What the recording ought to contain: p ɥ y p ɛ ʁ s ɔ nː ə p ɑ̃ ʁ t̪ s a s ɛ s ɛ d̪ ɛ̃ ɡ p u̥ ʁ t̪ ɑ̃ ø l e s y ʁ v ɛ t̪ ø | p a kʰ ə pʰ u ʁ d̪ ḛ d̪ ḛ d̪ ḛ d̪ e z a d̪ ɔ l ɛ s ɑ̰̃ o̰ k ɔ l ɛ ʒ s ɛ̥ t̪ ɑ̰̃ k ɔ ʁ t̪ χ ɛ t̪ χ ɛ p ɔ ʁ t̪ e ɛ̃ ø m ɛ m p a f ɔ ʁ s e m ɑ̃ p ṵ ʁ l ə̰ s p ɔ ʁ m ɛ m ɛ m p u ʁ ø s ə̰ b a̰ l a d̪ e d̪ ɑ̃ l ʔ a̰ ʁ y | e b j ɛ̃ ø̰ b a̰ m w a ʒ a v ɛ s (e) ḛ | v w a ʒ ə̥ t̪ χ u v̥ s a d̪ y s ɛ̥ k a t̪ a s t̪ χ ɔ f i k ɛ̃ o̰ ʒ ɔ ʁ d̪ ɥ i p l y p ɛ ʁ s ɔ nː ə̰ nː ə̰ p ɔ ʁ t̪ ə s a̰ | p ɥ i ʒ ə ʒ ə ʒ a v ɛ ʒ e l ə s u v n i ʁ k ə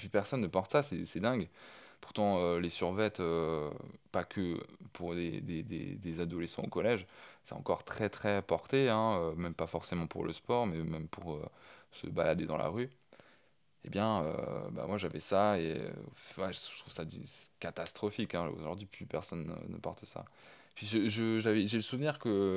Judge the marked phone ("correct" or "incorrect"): incorrect